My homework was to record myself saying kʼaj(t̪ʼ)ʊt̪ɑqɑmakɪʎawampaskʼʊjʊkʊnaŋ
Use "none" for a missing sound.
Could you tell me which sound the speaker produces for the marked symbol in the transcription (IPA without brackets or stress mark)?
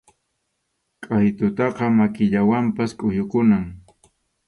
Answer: t̪